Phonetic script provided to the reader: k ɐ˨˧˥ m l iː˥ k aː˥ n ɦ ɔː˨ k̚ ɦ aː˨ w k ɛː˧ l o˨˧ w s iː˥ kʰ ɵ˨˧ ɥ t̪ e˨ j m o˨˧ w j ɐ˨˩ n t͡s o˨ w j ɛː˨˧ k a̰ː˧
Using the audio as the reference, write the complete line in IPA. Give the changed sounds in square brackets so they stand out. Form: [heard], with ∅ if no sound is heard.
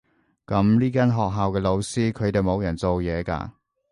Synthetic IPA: k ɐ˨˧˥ m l iː˥ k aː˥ n ɦ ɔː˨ k̚ ɦ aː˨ w k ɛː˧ l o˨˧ w s iː˥ kʰ ɵ˨˧ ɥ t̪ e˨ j m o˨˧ w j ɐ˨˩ n t͡s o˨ w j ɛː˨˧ k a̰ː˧